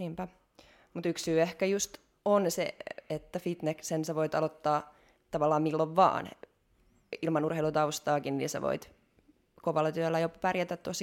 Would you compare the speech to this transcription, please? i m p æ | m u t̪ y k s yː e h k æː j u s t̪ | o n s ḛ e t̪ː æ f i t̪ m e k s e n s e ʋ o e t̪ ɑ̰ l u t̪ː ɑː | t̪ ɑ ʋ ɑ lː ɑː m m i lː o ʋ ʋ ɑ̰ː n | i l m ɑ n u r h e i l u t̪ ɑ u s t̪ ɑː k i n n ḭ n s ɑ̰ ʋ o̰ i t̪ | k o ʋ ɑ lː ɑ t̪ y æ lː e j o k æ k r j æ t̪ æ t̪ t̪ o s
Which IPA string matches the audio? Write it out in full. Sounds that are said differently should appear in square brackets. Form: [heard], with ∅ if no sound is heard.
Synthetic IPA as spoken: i m p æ | m u t̪ y k s yː e h k [æ] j u s t̪ | o n s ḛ e t̪ː æ f i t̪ [n] e k s e n s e ʋ o [i] t̪ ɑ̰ l [o] t̪ː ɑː | t̪ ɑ ʋ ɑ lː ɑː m m i lː o ʋ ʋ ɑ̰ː n | i l m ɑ n u r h e i l u t̪ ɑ u s t̪ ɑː k i n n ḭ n s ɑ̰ ʋ o̰ i t̪ | k o ʋ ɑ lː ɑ t̪ y æ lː [æ] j o [p] æ [∅] r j æ t̪ æ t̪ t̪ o s